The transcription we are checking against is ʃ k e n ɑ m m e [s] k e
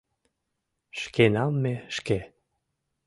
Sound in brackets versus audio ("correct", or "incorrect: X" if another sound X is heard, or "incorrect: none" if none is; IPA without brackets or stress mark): incorrect: ʃ